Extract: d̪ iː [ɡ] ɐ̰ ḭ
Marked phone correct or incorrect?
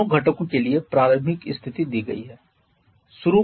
correct